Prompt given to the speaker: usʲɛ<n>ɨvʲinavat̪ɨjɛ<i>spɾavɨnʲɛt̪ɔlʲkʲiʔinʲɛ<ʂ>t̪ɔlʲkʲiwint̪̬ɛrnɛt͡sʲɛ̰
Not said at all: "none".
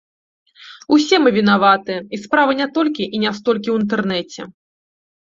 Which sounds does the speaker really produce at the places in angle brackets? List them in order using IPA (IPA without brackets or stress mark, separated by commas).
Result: m, i, s